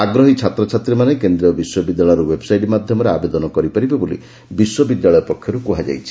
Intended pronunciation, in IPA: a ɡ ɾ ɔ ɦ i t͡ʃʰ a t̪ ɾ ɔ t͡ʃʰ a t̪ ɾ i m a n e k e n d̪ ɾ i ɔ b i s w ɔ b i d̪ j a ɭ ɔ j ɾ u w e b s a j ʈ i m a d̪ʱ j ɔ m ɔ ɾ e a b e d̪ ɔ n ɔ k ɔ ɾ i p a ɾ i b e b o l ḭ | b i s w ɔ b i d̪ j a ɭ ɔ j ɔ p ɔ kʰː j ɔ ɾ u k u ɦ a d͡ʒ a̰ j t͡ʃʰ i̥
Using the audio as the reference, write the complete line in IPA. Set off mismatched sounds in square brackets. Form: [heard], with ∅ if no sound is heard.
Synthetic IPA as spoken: a ɡ ɾ ɔ ɦ i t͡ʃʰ a t̪ ɾ ɔ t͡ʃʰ a t̪ ɾ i m a n e k e n d̪ ɾ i ɔ b i s w ɔ b i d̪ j a ɭ ɔ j ɾ u w e b s a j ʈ i m a d̪ʱ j ɔ m ɔ ɾ e a b e d̪ ɔ n ɔ k ɔ ɾ i p a ɾ i b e b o l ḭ | b i s w ɔ b i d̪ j a ɭ ɔ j ɔ p ɔ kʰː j ɔ ɾ u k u ɦ a d͡ʒ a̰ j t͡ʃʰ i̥